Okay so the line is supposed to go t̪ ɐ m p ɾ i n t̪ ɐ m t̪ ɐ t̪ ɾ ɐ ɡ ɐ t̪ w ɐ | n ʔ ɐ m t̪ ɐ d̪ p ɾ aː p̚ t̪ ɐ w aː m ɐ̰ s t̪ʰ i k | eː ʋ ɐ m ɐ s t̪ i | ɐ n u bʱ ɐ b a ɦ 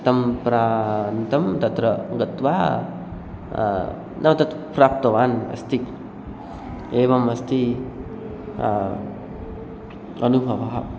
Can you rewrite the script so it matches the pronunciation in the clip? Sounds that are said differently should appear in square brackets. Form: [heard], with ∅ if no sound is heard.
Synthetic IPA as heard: t̪ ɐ m p ɾ [a] n t̪ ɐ m t̪ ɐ t̪ ɾ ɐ ɡ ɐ t̪ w [a] | n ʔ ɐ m t̪ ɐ [t̪] p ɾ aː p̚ t̪ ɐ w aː [n] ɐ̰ s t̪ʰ i k | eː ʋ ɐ m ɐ s t̪ i | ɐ n u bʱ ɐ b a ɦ